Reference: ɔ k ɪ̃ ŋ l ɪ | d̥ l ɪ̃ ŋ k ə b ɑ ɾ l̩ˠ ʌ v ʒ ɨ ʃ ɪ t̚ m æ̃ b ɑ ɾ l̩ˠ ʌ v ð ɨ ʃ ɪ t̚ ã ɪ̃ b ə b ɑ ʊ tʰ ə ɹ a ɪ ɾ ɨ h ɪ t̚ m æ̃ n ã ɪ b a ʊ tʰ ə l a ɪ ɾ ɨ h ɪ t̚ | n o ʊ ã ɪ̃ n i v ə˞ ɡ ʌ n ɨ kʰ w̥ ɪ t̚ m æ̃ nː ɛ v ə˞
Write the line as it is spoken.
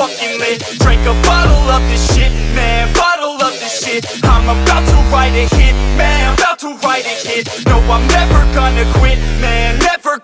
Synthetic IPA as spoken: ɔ k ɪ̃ ŋ l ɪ | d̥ ɹ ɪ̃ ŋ k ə b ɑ ɾ l̩ˠ ʌ v ð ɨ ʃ ɪ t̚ m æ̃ b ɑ ɾ l̩ˠ ʌ v ð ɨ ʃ ɪ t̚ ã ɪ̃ m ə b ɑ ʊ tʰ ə ɹ a ɪ ɾ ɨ h ɪ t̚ m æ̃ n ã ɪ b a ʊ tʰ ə ɹ a ɪ ɾ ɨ h ɪ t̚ | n o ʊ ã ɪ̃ n ɛ v ə˞ ɡ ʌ n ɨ kʰ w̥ ɪ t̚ m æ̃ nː ɛ v ə˞